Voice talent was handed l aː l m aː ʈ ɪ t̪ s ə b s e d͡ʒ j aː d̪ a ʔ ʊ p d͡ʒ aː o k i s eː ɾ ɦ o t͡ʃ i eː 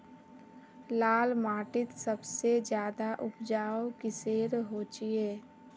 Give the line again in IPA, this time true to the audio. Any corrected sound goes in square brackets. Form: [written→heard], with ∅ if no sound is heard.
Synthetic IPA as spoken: l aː l m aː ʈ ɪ t̪ s ə b s e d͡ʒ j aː d̪ a ʔ ʊ p d͡ʒ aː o k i s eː ɾ ɦ o t͡ʃ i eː